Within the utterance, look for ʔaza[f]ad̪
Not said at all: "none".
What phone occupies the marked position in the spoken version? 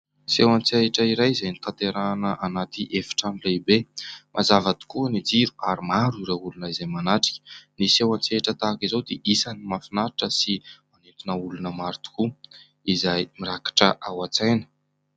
v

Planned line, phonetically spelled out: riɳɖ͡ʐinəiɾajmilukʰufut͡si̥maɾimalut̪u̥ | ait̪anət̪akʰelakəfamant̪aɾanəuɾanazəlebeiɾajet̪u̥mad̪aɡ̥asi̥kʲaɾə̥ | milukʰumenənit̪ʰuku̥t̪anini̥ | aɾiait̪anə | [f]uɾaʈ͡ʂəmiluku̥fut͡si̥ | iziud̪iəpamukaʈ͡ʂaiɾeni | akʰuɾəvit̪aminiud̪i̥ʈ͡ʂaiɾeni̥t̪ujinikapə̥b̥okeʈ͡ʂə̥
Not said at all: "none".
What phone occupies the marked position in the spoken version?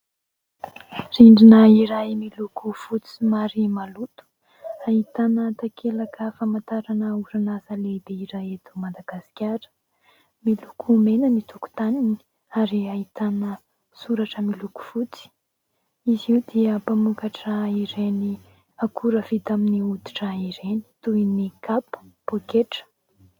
s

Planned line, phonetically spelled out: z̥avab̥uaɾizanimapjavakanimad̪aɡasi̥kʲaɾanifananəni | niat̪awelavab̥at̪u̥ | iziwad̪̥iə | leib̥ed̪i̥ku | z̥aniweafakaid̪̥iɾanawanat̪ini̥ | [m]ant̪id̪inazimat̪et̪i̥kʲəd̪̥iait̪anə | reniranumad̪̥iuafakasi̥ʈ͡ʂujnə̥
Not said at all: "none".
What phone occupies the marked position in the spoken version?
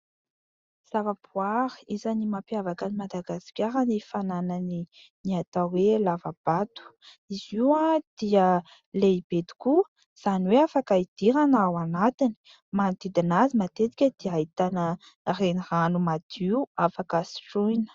m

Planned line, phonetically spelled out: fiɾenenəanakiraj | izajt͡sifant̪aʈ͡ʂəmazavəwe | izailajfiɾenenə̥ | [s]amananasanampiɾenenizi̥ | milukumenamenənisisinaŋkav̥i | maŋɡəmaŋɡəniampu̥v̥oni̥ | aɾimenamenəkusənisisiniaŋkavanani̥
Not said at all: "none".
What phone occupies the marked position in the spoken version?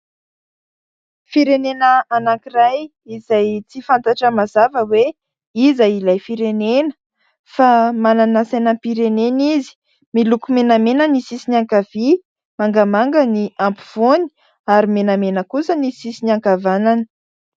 f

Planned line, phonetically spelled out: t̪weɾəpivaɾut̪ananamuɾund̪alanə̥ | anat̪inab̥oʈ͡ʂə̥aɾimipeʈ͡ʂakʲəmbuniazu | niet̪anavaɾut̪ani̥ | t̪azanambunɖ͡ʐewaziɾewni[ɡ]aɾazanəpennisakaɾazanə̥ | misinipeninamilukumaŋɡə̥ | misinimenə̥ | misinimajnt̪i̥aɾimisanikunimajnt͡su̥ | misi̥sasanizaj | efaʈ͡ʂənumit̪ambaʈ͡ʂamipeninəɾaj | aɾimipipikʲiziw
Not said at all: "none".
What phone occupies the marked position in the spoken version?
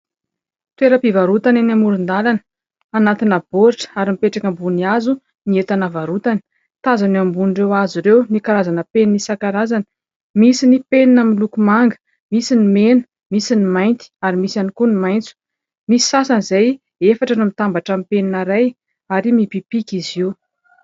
k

